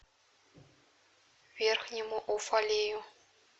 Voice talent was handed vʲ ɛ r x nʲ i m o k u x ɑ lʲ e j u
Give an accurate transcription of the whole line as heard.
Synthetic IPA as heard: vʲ e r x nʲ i m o ʔ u f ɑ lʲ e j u